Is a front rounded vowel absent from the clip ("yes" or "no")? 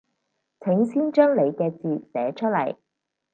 no